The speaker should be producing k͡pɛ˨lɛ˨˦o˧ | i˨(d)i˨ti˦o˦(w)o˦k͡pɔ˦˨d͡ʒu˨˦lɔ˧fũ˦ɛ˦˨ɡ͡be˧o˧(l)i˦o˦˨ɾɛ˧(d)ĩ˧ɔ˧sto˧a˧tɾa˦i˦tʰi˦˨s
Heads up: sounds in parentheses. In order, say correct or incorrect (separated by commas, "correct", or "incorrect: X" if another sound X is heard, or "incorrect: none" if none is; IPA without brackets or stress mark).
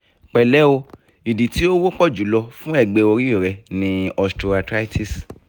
correct, correct, incorrect: ɾ, incorrect: n